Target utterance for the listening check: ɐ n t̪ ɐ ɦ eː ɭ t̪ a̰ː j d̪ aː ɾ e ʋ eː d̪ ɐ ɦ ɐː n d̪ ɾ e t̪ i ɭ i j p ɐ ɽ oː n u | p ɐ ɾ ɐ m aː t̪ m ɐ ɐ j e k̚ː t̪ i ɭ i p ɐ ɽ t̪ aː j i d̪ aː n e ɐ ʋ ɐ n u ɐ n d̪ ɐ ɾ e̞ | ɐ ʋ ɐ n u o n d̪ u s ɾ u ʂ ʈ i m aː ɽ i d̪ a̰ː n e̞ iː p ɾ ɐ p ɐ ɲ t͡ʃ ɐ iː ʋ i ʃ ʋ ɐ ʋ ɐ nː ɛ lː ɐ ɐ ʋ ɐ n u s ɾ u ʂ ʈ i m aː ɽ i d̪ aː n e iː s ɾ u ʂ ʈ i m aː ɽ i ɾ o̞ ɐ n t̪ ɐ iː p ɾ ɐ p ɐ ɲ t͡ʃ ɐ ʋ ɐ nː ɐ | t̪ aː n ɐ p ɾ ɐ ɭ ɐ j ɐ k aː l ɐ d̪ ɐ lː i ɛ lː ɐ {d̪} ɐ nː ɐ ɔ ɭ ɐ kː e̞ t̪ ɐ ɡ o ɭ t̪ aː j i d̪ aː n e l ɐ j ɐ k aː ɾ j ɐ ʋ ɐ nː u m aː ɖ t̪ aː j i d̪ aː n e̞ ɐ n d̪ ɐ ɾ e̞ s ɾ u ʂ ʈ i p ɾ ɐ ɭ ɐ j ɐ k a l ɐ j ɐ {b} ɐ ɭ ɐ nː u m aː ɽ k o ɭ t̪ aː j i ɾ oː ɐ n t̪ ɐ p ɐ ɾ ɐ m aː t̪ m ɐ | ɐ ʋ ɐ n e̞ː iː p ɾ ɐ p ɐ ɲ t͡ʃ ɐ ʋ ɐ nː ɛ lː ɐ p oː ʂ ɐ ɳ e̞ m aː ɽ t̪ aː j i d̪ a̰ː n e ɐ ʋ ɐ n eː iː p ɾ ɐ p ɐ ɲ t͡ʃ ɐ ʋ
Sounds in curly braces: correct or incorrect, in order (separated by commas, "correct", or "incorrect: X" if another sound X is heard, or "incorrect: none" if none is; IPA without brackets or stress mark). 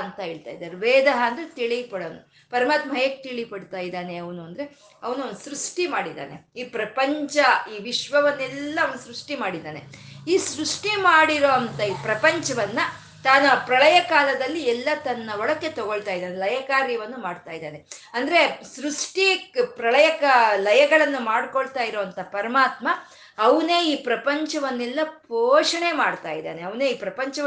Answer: incorrect: t̪, incorrect: ɡ